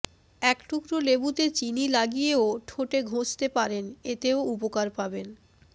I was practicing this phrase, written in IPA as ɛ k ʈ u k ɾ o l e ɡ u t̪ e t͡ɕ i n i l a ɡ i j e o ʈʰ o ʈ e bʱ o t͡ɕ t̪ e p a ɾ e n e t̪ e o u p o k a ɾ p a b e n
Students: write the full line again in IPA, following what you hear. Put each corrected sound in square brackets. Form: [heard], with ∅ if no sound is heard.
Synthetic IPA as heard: ɛ k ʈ u k ɾ o l e [b] u t̪ e t͡ɕ i n i l a ɡ i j e o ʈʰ o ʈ e [ɡʱ] o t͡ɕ t̪ e p a ɾ e n e t̪ e o u p o k a ɾ p a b e n